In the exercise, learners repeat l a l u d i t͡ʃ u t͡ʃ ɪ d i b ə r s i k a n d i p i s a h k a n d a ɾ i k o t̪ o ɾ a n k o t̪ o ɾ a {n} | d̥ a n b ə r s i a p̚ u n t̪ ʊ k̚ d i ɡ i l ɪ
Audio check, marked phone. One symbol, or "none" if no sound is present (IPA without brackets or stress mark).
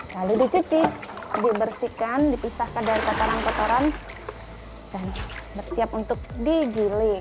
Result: n